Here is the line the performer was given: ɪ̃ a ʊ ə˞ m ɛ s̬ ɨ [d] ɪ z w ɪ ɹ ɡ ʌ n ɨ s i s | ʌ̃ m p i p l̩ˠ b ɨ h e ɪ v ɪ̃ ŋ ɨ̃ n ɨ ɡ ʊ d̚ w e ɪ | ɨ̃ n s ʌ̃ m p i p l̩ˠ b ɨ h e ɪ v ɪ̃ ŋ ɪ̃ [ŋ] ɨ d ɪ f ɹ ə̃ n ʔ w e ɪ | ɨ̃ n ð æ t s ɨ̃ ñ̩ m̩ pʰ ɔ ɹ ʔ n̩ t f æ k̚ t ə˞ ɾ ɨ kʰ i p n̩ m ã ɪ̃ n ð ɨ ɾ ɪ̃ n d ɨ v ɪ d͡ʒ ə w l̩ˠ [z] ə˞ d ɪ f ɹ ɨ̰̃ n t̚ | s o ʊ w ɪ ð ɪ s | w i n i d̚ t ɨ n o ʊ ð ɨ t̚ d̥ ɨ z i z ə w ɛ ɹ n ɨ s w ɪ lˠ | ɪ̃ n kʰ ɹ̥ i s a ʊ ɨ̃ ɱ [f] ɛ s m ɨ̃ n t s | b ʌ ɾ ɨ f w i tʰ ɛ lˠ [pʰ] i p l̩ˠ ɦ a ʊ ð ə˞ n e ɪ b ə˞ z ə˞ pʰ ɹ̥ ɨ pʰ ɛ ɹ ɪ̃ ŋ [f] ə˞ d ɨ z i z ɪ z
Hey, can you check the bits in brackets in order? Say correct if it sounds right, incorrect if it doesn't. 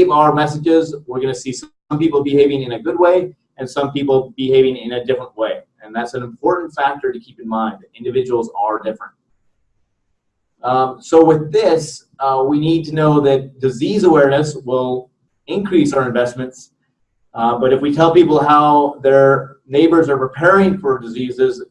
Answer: incorrect: d͡ʒ, incorrect: n, correct, incorrect: v, incorrect: p, correct

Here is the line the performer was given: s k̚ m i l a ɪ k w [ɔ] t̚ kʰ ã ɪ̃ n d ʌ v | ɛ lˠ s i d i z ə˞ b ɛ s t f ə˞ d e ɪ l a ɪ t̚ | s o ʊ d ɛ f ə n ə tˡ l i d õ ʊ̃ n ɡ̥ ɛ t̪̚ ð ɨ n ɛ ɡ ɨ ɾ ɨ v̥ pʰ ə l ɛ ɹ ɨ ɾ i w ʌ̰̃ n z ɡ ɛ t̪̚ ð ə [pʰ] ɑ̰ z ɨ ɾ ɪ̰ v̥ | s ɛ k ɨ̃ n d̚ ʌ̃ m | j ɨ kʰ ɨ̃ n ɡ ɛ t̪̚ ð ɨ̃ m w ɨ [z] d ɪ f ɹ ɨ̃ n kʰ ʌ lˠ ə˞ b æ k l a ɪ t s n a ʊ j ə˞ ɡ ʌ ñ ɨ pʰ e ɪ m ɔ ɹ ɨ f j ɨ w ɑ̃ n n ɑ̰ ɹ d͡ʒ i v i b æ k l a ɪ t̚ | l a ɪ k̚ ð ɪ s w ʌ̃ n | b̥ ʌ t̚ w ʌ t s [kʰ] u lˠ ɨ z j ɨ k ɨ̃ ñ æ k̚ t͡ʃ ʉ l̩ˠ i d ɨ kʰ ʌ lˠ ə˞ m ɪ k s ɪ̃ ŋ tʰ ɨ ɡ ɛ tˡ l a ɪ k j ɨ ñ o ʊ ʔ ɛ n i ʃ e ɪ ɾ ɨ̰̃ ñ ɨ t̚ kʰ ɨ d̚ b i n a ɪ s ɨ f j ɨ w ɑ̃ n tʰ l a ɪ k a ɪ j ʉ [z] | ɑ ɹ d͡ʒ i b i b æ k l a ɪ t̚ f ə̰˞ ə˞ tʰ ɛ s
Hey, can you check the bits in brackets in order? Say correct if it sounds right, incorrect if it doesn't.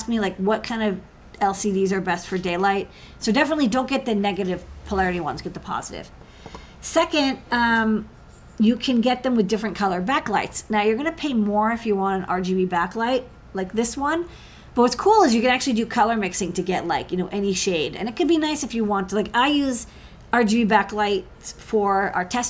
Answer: incorrect: ʌ, correct, incorrect: ð, correct, correct

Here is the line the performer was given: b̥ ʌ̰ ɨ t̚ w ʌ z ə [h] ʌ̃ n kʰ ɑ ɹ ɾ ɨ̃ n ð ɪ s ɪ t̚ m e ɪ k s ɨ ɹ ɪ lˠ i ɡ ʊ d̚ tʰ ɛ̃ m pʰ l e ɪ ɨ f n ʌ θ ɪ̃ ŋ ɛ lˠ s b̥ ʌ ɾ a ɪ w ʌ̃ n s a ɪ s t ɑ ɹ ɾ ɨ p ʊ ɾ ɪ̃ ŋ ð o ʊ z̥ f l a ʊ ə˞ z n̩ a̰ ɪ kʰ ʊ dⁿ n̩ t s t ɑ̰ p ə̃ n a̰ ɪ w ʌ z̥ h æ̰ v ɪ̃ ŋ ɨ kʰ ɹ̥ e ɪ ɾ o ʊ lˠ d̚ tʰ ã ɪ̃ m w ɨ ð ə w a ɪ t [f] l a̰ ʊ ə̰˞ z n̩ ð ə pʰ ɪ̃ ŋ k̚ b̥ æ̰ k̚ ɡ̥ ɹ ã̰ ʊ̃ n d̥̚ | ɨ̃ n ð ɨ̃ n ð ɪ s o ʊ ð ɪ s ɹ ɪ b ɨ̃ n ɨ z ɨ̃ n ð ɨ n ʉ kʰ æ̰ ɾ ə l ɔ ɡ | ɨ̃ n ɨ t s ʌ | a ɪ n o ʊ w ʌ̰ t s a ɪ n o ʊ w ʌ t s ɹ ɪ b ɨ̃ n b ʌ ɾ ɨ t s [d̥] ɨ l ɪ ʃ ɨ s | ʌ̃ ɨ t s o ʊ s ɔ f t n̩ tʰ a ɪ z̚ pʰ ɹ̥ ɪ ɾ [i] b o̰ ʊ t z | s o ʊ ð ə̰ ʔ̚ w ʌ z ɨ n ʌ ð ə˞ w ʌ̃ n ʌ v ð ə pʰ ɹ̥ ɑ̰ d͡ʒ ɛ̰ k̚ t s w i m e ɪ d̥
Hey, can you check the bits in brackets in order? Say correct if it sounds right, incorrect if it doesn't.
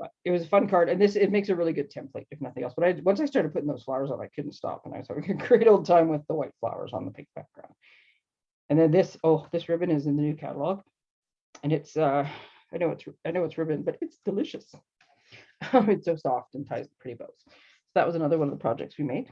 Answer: incorrect: f, correct, correct, correct

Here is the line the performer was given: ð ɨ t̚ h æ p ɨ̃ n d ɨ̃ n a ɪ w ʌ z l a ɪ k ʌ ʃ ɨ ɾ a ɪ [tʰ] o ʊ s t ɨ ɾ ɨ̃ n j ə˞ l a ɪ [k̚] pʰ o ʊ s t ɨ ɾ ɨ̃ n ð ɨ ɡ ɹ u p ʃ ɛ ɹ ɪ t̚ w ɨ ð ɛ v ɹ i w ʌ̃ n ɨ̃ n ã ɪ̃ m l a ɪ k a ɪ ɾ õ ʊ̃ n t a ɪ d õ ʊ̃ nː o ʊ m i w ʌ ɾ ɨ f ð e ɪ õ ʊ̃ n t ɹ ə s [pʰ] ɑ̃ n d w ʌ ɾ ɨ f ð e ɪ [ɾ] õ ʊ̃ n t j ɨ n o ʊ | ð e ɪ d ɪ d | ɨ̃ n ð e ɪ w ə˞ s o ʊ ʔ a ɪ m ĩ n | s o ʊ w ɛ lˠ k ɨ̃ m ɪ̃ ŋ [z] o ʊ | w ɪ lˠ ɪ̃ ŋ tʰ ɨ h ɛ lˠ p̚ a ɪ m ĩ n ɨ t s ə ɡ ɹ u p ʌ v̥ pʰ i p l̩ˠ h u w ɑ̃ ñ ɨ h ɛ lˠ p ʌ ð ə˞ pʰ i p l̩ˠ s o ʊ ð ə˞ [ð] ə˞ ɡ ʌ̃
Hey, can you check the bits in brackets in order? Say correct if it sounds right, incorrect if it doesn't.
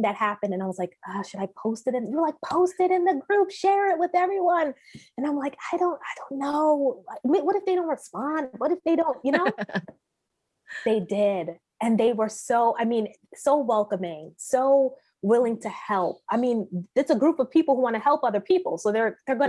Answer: incorrect: pʰ, correct, incorrect: p, correct, incorrect: s, correct

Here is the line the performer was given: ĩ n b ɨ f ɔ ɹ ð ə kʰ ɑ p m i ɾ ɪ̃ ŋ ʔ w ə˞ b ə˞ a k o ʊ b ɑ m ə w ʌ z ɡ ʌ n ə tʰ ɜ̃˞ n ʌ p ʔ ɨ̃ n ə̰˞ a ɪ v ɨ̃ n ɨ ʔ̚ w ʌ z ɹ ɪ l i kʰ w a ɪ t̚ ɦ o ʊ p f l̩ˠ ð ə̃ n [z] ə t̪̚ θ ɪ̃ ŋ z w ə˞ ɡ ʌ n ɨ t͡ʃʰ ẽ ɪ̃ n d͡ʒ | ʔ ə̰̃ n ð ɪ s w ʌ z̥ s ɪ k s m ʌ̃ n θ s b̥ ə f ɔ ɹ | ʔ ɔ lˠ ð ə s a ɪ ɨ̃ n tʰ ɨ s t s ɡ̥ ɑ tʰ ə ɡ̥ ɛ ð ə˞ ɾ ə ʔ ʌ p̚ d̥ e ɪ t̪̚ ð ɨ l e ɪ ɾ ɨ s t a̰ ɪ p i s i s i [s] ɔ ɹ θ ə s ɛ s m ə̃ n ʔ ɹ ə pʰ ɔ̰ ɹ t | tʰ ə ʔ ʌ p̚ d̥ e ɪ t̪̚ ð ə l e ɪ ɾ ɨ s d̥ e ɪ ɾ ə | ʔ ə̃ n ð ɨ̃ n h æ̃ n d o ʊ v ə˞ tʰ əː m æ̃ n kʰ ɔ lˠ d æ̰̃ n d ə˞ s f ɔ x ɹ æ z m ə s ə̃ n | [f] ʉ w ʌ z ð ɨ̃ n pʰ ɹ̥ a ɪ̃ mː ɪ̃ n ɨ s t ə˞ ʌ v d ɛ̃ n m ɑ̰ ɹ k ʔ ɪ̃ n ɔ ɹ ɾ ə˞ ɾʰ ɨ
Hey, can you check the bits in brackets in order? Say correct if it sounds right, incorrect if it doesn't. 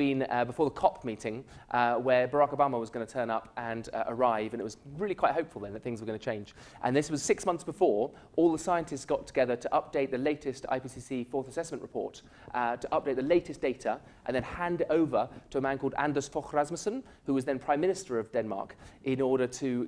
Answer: incorrect: ð, incorrect: f, incorrect: h

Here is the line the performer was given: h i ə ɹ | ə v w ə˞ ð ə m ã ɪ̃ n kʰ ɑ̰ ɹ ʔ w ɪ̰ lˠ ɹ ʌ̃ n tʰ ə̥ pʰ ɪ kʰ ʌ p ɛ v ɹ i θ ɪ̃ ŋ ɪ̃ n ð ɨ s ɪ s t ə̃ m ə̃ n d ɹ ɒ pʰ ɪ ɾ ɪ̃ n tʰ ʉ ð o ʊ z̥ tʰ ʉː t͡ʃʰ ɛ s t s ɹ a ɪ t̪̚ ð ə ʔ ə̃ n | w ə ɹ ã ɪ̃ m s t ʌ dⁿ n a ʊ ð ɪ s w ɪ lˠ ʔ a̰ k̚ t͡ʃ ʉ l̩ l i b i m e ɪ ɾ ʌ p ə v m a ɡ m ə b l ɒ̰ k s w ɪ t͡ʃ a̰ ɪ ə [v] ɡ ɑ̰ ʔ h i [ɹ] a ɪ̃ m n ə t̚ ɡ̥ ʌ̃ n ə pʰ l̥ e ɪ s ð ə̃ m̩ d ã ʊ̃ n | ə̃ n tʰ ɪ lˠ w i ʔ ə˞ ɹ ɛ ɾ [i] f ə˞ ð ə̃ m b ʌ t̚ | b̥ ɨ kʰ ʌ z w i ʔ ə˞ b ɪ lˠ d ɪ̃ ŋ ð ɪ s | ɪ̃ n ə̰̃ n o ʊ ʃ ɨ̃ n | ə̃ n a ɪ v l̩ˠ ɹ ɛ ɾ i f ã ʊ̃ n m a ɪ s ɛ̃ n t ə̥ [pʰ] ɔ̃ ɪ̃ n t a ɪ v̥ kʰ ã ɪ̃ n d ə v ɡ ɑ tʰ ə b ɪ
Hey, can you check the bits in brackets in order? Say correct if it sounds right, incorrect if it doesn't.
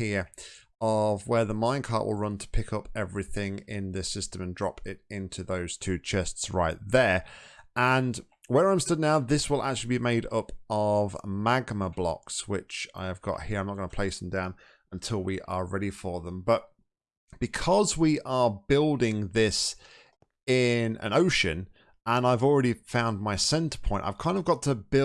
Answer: correct, correct, correct, correct

